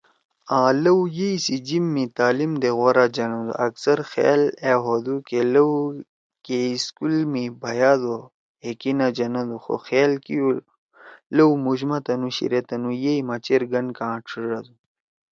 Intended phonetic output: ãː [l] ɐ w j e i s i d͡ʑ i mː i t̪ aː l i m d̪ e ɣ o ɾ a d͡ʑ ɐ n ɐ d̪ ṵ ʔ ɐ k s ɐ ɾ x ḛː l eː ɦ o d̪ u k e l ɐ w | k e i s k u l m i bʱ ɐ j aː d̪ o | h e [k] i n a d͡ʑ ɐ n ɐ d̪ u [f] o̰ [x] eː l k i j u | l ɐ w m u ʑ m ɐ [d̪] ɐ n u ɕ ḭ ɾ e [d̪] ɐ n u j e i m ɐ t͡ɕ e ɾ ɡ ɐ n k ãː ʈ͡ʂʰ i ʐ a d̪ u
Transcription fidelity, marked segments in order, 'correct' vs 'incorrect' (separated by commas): correct, correct, incorrect, correct, incorrect, incorrect